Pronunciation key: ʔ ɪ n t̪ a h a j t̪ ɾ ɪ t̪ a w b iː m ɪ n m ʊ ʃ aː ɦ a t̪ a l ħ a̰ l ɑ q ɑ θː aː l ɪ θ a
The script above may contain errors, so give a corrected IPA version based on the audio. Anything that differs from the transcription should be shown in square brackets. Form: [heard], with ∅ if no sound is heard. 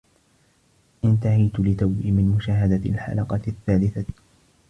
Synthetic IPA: ʔ ɪ n t̪ a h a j t̪ [l] ɪ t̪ a w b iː m ɪ n m ʊ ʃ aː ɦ a [d̪] a l ħ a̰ l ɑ q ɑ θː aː l ɪ θ a